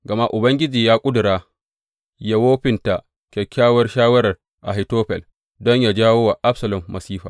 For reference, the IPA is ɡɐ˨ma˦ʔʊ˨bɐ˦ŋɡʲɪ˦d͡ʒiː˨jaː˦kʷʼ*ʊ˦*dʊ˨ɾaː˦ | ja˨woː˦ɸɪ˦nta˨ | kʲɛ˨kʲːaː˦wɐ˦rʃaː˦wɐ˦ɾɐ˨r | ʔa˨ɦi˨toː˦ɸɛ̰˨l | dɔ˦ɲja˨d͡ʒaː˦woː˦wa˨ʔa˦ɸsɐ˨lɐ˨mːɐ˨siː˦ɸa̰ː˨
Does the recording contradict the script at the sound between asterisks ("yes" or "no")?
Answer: no